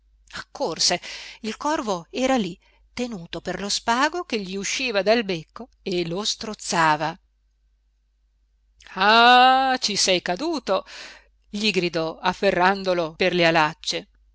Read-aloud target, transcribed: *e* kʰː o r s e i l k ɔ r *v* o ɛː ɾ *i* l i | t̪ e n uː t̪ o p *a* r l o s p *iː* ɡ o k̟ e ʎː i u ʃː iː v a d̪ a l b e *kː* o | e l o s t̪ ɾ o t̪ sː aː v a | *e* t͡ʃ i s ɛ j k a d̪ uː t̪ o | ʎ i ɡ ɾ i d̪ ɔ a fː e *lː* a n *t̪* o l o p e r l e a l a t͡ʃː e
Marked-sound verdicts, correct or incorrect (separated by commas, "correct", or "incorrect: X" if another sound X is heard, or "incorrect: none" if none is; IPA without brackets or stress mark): incorrect: a, correct, incorrect: a, incorrect: e, incorrect: aː, correct, incorrect: a, incorrect: rː, incorrect: d̪